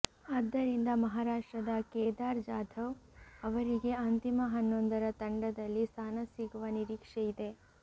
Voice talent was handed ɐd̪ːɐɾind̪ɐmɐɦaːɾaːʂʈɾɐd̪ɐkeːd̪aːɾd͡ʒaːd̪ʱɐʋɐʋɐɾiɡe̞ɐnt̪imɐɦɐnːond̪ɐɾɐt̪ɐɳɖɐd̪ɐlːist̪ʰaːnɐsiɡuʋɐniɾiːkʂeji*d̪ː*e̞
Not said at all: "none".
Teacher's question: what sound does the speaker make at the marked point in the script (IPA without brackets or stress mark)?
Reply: d̪